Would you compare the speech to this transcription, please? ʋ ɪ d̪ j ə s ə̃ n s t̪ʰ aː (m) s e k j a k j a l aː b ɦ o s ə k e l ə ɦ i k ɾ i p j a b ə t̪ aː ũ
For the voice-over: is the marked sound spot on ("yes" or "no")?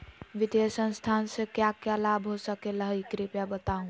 no